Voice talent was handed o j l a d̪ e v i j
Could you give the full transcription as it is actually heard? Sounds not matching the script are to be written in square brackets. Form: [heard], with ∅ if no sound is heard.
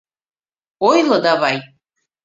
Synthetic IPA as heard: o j l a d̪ [a] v [a] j